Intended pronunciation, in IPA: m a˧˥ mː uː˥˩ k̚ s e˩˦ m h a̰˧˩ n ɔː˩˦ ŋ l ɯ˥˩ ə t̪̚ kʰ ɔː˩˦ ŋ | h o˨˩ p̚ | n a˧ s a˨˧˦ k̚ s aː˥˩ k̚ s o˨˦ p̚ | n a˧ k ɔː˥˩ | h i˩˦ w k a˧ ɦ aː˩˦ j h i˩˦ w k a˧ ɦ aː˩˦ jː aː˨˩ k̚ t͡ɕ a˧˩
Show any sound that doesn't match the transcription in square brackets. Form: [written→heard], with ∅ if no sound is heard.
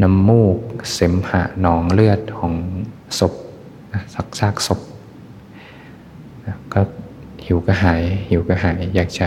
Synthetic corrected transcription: [m→n] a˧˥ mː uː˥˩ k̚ s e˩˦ m h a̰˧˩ n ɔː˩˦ ŋ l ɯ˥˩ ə t̪̚ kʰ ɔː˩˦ ŋ | [h→s] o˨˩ p̚ | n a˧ s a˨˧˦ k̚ s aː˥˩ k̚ s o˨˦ p̚ | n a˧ k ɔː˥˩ | h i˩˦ w k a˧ ɦ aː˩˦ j h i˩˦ w k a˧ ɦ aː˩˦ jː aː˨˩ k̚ t͡ɕ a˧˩